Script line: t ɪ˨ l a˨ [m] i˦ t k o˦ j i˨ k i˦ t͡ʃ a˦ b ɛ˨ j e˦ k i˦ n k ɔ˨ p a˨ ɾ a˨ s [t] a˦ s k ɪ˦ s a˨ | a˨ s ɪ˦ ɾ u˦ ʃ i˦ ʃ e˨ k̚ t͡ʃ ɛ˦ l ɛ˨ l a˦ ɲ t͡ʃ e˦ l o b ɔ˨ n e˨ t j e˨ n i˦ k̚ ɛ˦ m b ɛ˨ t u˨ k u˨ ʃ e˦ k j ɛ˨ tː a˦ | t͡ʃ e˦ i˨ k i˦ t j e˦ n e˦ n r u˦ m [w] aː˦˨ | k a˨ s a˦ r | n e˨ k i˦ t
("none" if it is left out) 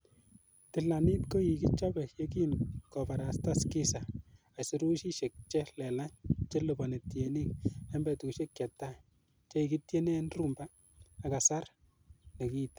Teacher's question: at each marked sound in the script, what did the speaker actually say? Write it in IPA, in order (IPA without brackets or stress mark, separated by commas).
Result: n, t, b